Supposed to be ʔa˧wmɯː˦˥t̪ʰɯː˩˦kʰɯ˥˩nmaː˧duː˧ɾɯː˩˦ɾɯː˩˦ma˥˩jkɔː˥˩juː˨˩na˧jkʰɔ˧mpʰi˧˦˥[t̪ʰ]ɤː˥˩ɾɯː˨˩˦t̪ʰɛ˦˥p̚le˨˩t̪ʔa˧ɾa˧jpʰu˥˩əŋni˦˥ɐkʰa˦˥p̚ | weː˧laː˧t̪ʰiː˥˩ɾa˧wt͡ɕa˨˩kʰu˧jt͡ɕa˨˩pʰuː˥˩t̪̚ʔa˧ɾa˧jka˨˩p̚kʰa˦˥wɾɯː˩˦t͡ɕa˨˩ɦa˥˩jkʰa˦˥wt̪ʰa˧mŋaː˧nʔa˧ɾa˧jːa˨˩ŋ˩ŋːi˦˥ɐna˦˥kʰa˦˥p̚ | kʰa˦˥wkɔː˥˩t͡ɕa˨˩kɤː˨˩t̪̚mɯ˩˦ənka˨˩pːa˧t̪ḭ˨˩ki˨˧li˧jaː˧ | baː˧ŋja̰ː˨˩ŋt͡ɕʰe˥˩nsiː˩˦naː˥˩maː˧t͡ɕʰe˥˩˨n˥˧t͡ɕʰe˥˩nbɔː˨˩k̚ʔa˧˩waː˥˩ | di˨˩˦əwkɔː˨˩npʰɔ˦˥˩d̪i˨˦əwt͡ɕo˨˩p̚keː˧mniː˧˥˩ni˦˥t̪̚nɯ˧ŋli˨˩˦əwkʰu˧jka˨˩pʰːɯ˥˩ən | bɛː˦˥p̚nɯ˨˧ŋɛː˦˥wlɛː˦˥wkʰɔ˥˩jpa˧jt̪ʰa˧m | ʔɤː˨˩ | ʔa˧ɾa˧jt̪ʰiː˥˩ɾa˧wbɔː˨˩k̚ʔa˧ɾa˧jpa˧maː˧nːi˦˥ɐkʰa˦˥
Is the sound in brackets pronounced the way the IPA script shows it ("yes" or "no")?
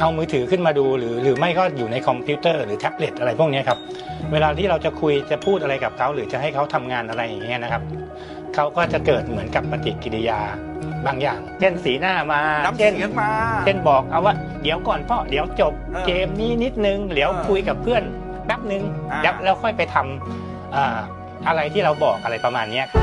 no